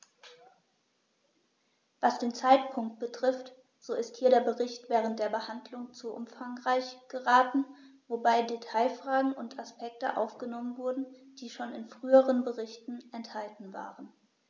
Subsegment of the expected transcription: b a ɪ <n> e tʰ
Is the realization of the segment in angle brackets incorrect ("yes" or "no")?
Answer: yes